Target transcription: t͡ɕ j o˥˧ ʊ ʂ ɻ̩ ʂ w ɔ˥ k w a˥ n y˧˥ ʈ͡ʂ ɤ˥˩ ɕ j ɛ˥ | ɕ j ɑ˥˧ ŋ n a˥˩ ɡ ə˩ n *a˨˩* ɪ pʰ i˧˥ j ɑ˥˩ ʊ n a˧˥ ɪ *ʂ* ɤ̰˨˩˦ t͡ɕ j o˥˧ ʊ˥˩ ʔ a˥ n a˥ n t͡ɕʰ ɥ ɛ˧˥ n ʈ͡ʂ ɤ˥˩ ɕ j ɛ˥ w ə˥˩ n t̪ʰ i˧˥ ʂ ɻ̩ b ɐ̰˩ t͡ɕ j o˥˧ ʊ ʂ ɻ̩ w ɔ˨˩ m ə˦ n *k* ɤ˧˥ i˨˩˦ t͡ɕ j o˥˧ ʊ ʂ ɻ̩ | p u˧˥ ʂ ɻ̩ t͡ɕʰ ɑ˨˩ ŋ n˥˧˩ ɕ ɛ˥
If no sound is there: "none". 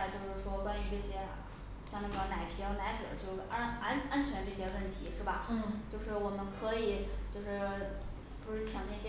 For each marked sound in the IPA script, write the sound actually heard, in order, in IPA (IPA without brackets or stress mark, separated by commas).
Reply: a˨˩, ʈ͡ʂ, kʰ